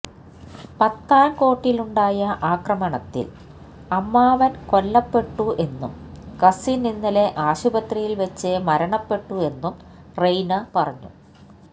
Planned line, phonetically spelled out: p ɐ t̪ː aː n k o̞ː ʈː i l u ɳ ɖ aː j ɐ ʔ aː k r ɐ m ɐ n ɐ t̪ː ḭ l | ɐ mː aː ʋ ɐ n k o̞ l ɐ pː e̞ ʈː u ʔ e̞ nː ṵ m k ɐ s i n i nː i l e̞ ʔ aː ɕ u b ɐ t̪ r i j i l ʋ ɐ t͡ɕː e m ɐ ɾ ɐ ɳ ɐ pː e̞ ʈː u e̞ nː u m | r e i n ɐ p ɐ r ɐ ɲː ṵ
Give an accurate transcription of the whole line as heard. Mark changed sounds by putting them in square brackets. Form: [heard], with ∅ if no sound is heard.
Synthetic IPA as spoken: p ɐ t̪ː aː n k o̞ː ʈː i l u ɳ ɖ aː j ɐ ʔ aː k r ɐ m ɐ [ɳ] ɐ t̪ː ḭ l | ɐ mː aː ʋ ɐ n k o̞ [lː] ɐ pː e̞ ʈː u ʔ e̞ nː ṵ m k ɐ s i n i nː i l e̞ ʔ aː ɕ u b ɐ t̪ r i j i l ʋ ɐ t͡ɕː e m ɐ ɾ ɐ ɳ ɐ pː e̞ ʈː u e̞ nː u m | r e [j] n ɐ p ɐ r ɐ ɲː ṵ

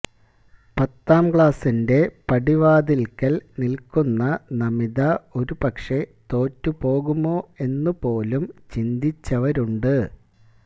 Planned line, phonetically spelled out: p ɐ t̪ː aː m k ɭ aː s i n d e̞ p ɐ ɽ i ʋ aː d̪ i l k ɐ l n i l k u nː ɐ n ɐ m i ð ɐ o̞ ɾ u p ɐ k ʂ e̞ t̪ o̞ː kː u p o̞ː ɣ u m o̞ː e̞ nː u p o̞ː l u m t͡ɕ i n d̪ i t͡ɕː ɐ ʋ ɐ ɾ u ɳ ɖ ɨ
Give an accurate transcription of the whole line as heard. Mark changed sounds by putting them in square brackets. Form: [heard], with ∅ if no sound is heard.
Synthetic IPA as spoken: p ɐ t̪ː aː m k ɭ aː s i n d e̞ p ɐ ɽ i ʋ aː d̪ i l k ɐ l n i l k u nː ɐ n ɐ m i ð ɐ o̞ ɾ u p ɐ k ʂ e̞ t̪ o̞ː [tː] u p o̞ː ɣ u m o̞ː e̞ nː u p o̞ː l u m t͡ɕ i n d̪ i t͡ɕː ɐ ʋ ɐ ɾ u ɳ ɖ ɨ

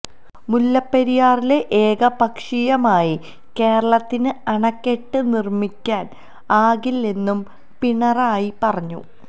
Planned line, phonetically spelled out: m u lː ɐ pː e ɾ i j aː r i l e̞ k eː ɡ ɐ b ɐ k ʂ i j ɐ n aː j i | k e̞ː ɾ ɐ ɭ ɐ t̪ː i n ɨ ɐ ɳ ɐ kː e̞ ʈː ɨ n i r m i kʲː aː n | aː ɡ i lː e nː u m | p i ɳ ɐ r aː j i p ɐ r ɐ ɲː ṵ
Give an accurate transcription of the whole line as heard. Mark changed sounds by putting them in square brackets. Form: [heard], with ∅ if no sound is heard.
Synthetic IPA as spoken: m u lː ɐ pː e ɾ i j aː r i l e̞ [ʔ] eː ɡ ɐ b ɐ k ʂ i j ɐ [m] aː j i | k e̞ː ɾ ɐ ɭ ɐ t̪ː i n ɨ ɐ ɳ ɐ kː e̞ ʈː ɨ n i r m i kʲː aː n | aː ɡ i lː e nː u m | p i ɳ ɐ r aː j i p ɐ r ɐ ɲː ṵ

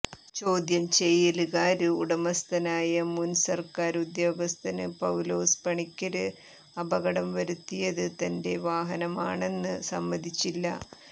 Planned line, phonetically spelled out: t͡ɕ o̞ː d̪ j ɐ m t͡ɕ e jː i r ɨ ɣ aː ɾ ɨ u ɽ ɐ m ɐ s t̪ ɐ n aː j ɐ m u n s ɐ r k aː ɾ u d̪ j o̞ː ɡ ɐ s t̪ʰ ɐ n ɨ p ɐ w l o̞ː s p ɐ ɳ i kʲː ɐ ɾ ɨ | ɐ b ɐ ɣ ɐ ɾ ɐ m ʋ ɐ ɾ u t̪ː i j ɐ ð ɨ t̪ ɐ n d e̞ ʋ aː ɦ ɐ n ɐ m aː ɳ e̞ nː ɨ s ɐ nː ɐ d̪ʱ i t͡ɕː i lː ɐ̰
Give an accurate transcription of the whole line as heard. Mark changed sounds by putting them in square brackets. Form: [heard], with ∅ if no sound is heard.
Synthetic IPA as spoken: t͡ɕ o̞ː d̪ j ɐ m t͡ɕ e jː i [l] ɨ ɣ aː ɾ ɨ u ɽ ɐ m ɐ s t̪ ɐ n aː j ɐ m u n s ɐ r k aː ɾ u d̪ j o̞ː ɡ ɐ s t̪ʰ ɐ n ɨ p ɐ w l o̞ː s p ɐ ɳ i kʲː ɐ ɾ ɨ | ɐ b ɐ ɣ ɐ [ɽ] ɐ m ʋ ɐ ɾ u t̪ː i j ɐ ð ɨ t̪ ɐ n d e̞ ʋ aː ɦ ɐ n ɐ m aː ɳ e̞ nː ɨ s ɐ [mː] ɐ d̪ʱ i t͡ɕː i lː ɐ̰

